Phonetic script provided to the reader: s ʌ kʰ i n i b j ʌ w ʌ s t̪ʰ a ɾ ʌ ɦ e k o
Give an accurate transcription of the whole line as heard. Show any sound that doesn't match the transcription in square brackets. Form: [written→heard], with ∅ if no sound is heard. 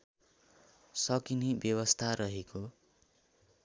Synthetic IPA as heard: s ʌ [kʰ→k] i n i b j ʌ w ʌ s t̪ʰ a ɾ ʌ ɦ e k o